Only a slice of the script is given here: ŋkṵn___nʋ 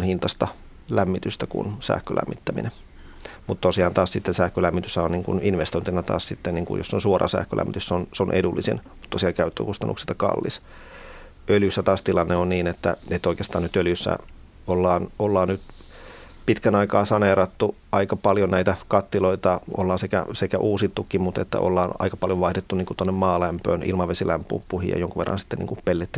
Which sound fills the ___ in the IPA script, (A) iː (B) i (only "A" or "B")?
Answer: B